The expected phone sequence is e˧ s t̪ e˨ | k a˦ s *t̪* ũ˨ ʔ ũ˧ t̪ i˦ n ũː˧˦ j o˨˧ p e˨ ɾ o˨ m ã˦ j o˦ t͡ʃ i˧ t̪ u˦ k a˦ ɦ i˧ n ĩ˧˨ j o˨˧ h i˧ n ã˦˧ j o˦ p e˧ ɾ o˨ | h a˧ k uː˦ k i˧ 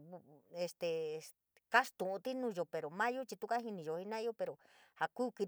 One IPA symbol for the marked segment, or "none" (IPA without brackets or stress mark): t̪